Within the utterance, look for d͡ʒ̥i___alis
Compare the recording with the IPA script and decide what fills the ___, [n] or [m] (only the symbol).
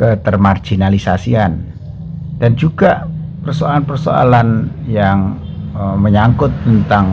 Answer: n